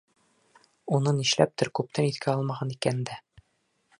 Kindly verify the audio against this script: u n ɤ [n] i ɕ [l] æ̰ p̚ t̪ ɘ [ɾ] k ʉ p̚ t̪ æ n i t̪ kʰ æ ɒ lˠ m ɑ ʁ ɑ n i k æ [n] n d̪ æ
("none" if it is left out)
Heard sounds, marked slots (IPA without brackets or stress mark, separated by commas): n, l, ɾ, n